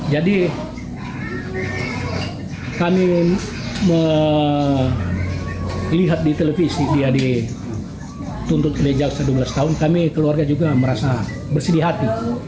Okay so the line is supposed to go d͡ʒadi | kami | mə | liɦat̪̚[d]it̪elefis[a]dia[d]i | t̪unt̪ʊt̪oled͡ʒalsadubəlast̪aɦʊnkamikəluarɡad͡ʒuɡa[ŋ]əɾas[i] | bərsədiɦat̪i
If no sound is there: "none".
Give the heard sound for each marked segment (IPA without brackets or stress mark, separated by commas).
d, i, d, m, a